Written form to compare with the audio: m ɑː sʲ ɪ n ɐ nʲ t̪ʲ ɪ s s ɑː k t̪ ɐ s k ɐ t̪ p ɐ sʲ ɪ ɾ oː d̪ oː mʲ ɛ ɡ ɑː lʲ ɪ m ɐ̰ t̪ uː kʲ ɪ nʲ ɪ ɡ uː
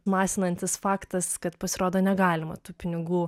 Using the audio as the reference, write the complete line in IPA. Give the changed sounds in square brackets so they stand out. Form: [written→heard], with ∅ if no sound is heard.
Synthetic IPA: m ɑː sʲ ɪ n ɐ nʲ t̪ʲ ɪ s [s→f] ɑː k t̪ ɐ s k ɐ t̪ p ɐ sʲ ɪ ɾ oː d̪ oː [mʲ→nʲ] ɛ ɡ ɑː lʲ ɪ m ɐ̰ t̪ uː [kʲ→pʲ] ɪ nʲ ɪ ɡ uː